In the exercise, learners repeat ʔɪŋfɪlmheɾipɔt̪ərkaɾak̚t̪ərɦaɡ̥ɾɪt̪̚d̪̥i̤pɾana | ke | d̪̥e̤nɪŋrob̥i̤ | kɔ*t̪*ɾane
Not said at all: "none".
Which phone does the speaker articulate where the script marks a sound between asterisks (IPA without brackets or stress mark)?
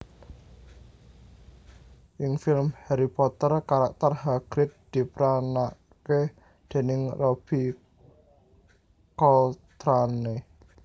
t̪